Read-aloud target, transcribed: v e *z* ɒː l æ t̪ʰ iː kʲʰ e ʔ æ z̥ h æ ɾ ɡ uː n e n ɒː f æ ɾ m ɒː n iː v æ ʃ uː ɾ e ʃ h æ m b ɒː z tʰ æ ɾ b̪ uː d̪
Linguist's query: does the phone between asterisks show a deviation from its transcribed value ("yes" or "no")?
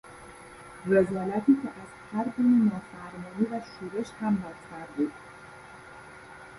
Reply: no